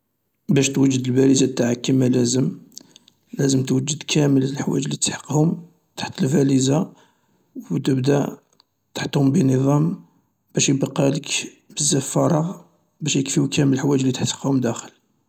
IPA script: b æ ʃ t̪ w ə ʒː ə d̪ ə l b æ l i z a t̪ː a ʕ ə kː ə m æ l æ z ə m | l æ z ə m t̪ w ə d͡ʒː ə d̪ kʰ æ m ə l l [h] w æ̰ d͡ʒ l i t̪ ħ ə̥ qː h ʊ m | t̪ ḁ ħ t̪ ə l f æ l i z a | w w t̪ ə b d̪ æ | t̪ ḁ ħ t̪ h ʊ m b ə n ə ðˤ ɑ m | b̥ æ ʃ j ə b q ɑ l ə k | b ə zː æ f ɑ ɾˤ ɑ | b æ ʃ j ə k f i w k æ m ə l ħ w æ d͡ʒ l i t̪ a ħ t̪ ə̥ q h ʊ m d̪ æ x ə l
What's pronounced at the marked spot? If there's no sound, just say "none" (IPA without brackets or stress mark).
ħ